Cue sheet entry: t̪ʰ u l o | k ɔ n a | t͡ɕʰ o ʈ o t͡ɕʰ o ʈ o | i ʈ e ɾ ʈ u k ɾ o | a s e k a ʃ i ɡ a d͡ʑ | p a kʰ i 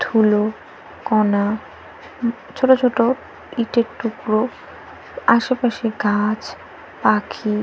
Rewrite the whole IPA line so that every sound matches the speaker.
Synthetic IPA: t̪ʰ u l o | k ɔ n a | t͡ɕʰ o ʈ o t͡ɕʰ o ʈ o | i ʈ e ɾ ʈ u k ɾ o | a ʃ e p a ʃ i ɡ a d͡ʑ | p a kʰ i